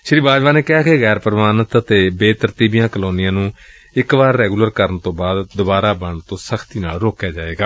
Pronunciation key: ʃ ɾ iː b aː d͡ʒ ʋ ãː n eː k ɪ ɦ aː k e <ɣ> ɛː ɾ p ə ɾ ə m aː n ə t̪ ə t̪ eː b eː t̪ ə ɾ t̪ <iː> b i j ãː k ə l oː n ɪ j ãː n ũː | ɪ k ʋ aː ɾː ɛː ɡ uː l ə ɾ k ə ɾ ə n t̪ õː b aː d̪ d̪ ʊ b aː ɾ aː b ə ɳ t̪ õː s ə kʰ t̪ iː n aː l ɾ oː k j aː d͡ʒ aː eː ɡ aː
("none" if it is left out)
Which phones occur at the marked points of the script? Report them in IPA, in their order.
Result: ɣ, iː

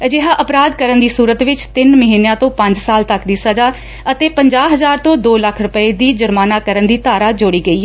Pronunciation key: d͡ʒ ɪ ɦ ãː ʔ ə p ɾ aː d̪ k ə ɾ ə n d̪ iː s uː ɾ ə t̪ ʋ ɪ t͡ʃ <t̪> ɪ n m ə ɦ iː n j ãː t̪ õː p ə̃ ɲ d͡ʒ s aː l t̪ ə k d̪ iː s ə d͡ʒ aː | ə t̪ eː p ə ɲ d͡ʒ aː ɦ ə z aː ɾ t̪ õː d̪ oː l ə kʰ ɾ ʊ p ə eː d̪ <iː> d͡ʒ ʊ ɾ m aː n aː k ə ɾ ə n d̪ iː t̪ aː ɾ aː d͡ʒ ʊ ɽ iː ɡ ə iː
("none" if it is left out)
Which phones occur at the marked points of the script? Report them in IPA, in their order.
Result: t̪, iː

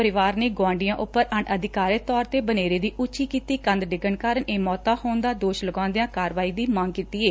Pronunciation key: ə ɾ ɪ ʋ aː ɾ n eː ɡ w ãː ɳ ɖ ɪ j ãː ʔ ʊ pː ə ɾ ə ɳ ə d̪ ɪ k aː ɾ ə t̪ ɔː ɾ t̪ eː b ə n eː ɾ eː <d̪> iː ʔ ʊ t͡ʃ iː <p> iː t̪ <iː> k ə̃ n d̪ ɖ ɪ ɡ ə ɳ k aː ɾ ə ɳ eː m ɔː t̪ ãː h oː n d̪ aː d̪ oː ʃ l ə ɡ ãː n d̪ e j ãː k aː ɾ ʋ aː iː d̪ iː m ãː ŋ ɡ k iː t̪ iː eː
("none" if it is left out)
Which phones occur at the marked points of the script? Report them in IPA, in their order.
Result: d̪, k, iː

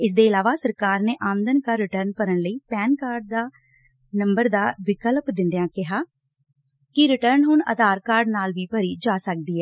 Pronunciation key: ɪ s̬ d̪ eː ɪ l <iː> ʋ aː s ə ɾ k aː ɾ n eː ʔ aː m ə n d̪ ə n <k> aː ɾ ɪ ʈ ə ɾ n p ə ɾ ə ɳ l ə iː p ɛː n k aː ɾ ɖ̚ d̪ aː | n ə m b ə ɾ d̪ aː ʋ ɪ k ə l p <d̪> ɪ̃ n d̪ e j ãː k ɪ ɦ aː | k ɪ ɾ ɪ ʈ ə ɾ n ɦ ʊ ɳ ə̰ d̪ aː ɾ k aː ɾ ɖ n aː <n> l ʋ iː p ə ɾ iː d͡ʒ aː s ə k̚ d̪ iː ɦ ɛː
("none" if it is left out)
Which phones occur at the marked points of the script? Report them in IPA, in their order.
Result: aː, k, d̪, none

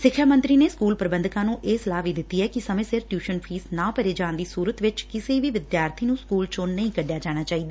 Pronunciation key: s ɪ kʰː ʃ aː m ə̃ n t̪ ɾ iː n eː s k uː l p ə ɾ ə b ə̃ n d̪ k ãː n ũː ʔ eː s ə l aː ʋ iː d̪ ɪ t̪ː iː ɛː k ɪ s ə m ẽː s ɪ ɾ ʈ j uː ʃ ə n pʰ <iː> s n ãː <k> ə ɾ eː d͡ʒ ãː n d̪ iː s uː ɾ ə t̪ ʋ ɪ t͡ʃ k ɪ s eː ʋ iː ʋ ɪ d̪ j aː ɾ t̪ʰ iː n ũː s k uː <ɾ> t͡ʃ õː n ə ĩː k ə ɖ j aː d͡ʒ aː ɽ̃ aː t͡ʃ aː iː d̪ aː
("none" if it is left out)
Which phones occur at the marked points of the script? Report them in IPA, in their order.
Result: iː, p, l

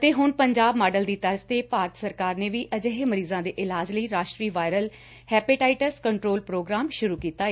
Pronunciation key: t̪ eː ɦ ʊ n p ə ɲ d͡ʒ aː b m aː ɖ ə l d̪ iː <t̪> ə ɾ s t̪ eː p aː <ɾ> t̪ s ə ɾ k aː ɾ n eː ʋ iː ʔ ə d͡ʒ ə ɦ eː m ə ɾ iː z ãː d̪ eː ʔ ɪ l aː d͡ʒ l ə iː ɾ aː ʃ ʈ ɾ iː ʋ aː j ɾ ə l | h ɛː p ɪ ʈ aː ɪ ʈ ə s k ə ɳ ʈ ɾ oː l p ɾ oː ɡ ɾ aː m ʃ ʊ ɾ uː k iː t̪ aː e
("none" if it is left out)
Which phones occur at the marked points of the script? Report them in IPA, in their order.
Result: t̪, ɾ

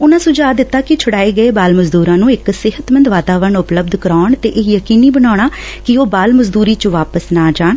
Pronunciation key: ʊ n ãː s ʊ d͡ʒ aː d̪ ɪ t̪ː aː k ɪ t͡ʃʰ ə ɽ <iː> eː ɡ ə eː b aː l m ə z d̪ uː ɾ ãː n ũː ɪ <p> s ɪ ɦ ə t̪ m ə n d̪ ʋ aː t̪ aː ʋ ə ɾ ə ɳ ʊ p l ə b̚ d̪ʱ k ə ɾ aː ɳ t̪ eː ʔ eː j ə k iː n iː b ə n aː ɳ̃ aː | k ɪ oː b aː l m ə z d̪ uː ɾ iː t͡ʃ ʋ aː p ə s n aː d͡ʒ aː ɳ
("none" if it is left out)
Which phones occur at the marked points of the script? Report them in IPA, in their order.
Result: aː, k

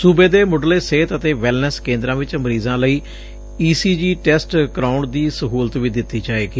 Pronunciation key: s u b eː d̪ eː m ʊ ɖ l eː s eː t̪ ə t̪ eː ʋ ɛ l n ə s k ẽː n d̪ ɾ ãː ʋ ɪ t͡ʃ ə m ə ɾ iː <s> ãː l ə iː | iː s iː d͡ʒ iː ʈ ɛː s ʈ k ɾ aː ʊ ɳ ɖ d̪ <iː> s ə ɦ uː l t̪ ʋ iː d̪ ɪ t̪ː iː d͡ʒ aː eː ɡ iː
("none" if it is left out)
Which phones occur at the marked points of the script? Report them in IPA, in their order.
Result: z, iː

